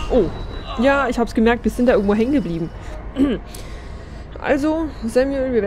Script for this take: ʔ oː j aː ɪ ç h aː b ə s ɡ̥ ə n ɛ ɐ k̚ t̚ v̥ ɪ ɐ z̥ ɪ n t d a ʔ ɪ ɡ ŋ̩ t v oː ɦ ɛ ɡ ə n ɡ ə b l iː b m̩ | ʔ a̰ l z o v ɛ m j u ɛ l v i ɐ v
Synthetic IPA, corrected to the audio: ʔ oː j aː ɪ ç h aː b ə s ɡ̥ ə m ɛ ɐ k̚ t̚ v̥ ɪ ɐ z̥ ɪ n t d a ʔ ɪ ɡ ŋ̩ t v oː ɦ ɛ ŋ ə n ɡ ə b l iː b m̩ | ʔ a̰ l z o z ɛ m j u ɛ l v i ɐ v